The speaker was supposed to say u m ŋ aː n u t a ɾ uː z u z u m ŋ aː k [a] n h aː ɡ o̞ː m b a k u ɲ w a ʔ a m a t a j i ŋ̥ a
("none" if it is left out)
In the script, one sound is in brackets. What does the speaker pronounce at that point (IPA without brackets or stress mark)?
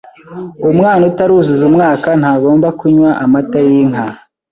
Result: a